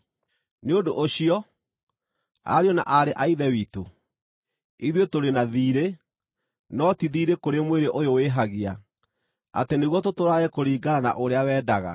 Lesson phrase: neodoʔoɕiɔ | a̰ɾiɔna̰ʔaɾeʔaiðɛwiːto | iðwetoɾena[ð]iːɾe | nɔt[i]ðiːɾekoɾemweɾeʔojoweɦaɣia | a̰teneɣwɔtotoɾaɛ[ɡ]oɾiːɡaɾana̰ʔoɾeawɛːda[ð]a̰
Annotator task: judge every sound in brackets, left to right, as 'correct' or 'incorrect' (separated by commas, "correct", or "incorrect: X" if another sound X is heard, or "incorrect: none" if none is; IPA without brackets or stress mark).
correct, correct, incorrect: k, incorrect: ɣ